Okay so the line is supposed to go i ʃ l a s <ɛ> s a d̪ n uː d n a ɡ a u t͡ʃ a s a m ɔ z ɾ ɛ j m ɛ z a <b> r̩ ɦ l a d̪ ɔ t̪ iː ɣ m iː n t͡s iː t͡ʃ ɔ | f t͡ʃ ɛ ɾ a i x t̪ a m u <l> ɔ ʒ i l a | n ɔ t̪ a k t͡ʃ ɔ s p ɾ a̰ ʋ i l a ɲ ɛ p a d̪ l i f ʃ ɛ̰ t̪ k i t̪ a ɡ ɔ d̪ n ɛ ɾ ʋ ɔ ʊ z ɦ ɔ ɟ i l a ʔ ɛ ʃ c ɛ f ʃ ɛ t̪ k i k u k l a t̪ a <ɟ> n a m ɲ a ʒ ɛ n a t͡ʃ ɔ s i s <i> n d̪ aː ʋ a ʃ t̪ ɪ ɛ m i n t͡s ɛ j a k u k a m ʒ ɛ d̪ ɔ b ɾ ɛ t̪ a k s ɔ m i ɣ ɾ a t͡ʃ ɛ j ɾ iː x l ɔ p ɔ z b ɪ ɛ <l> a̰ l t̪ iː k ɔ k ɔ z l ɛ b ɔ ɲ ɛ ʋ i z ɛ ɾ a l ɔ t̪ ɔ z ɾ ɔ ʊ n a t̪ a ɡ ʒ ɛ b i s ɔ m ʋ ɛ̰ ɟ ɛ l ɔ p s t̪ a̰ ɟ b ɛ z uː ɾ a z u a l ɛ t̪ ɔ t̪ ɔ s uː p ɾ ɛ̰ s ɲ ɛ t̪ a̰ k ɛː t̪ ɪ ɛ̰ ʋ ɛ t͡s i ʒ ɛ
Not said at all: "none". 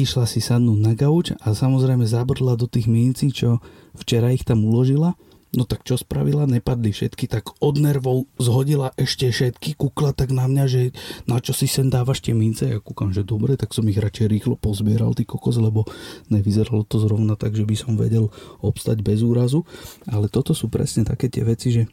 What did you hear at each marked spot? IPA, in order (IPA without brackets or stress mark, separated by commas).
i, b, l, ɡ, ɛ, ɾ